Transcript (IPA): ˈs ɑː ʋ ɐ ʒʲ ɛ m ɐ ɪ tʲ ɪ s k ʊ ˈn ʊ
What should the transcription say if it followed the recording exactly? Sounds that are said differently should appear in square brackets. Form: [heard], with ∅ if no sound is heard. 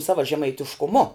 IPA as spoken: ˈs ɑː ʋ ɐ ʒʲ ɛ m ɐ ɪ tʲ ɪ [ʃ] k ʊ [ˈm] ʊ